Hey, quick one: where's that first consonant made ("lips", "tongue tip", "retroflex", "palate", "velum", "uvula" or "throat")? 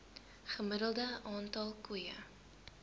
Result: uvula